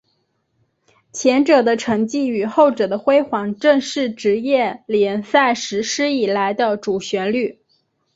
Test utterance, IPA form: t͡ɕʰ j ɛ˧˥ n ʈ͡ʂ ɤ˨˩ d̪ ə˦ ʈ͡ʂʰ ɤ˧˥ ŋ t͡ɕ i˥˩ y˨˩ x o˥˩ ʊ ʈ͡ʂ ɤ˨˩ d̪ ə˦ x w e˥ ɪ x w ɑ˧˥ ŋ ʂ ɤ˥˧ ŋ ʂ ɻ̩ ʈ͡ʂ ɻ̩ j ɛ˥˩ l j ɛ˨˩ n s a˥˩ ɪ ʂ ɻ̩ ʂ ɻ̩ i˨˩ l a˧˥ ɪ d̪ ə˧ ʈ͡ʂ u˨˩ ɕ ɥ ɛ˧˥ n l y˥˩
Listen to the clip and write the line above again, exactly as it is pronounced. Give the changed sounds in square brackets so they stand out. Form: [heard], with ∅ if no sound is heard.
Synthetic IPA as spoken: t͡ɕʰ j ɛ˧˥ n ʈ͡ʂ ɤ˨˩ d̪ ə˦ ʈ͡ʂʰ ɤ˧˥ ŋ t͡ɕ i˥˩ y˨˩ x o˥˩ ʊ ʈ͡ʂ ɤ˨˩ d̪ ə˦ x w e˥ ɪ x w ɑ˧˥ ŋ [ʈ͡ʂ] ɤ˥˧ ŋ ʂ ɻ̩ ʈ͡ʂ ɻ̩ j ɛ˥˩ l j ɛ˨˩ n s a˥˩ ɪ ʂ ɻ̩ ʂ ɻ̩ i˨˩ l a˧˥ ɪ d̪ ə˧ ʈ͡ʂ u˨˩ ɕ ɥ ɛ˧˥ n l y˥˩